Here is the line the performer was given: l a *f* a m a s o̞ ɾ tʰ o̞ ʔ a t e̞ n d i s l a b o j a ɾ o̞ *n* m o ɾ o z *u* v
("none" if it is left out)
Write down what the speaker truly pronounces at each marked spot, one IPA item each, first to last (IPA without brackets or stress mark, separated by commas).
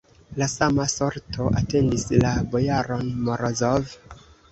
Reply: s, n, o